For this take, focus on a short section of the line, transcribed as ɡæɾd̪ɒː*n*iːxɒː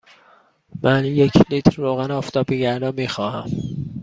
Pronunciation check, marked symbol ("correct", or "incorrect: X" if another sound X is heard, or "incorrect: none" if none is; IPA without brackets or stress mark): incorrect: m